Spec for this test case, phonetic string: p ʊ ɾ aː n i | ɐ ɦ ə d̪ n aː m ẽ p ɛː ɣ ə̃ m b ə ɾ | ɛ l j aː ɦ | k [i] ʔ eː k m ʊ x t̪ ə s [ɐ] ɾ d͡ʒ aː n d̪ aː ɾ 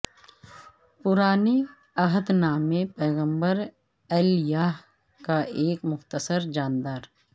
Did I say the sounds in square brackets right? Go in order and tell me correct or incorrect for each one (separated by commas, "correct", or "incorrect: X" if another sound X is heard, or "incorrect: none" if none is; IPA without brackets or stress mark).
incorrect: a, incorrect: ə